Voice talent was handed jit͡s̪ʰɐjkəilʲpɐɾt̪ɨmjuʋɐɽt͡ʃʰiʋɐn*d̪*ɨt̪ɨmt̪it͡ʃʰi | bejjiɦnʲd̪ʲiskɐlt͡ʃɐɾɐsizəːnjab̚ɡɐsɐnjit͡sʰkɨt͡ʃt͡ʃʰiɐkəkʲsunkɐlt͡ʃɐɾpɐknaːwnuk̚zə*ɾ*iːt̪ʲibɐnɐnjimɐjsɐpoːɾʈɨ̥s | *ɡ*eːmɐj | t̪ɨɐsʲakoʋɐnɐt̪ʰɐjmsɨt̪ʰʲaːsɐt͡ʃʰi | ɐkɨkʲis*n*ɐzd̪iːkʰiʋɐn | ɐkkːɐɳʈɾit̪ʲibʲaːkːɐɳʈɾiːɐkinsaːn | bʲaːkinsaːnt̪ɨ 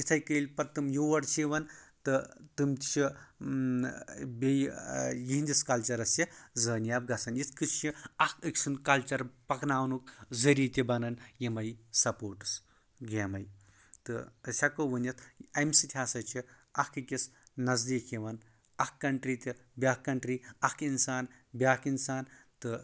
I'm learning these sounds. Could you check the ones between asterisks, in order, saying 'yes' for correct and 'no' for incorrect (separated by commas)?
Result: no, yes, yes, yes